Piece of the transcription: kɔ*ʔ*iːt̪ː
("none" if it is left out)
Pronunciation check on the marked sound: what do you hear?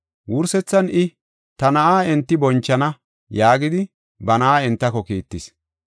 k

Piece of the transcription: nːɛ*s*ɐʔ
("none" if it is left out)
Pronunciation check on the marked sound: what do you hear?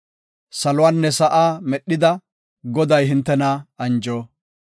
s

